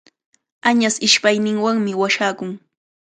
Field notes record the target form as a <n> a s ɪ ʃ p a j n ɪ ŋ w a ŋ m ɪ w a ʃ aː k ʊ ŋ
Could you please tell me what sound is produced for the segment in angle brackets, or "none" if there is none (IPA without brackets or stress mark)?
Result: ɲ